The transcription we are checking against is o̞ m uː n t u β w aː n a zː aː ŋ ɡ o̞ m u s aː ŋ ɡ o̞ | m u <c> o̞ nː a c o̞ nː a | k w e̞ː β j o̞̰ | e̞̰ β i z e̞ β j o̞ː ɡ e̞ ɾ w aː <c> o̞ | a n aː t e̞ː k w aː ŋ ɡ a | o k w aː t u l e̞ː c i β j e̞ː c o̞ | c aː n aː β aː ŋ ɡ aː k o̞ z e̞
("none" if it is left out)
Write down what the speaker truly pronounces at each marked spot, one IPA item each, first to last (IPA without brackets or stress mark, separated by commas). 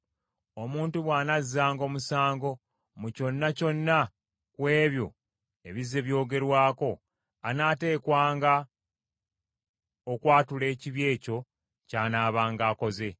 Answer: c, k